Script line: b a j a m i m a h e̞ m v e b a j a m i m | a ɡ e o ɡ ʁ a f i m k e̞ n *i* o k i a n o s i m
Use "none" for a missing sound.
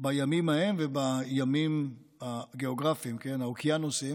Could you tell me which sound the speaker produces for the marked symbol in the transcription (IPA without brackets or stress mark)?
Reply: a